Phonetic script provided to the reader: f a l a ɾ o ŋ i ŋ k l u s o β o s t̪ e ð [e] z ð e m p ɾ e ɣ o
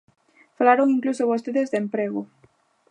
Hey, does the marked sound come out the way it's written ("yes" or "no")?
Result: yes